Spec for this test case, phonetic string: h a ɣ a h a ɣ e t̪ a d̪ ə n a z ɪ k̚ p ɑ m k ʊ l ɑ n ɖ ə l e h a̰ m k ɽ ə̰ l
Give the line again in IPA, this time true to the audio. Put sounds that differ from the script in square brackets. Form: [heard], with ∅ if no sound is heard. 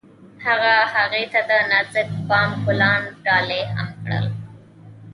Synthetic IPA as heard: h a ɣ a h a ɣ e t̪ a d̪ ə n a z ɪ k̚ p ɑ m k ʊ l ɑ n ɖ [ɑ] l e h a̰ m k ɽ ə̰ l